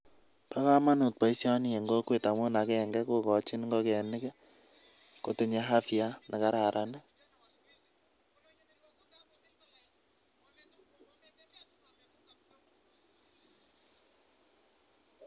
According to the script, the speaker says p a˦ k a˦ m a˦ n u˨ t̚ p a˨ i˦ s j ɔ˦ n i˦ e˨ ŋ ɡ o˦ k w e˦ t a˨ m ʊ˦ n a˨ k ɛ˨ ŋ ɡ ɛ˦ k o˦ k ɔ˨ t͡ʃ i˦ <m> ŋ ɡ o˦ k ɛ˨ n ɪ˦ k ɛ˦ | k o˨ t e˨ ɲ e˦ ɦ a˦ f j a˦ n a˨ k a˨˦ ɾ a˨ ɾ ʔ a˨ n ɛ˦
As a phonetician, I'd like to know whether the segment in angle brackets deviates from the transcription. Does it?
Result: yes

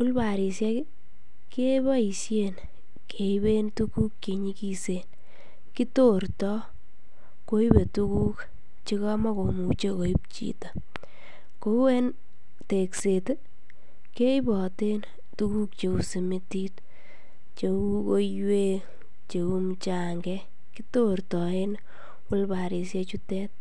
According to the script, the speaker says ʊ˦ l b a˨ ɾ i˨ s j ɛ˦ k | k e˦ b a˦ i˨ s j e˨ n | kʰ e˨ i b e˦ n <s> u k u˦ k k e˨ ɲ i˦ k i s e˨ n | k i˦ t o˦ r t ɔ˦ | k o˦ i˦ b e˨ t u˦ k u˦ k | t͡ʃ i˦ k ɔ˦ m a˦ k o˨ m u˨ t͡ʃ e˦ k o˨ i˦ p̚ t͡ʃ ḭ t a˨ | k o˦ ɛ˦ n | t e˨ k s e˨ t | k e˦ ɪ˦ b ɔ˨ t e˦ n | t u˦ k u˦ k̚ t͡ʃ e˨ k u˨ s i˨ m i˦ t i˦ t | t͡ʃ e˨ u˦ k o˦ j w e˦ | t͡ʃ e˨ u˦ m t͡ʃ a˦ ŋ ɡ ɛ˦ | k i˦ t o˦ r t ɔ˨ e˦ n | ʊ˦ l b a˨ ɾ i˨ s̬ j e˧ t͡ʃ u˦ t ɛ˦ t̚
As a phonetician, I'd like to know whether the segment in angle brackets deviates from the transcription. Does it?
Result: yes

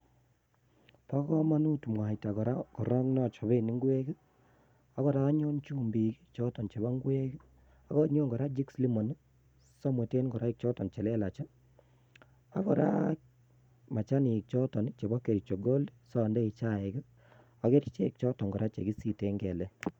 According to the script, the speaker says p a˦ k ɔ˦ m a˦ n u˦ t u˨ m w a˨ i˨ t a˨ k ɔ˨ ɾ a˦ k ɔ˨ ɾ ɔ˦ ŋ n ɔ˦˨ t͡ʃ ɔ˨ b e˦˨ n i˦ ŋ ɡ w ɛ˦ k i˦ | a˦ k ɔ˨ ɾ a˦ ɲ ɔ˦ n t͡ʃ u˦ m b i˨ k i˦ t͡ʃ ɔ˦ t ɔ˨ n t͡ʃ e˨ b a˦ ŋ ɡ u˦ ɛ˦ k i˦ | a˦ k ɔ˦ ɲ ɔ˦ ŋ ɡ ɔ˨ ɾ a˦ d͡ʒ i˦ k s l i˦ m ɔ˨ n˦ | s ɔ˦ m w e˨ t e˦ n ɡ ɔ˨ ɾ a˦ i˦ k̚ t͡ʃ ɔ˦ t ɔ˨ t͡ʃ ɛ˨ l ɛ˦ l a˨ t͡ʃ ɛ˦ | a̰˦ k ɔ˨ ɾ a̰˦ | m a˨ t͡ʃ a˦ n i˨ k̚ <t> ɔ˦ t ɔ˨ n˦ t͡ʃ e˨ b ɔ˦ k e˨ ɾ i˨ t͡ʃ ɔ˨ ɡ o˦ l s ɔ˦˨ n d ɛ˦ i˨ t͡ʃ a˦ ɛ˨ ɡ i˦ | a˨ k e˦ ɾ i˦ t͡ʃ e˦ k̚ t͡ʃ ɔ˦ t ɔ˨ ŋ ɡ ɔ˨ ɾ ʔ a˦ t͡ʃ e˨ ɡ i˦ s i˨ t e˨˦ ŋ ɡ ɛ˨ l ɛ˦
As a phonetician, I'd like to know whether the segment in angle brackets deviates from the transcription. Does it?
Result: yes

